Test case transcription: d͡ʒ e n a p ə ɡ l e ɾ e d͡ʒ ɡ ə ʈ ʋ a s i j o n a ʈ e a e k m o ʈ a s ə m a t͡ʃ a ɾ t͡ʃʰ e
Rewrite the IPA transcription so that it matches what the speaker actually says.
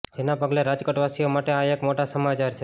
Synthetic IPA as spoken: d͡ʒ e n a p ə ɡ l e ɾ a d͡ʒ k ə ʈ ʋ a s i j o m a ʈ e a e k m o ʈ a s ə m a t͡ʃ a ɾ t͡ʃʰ e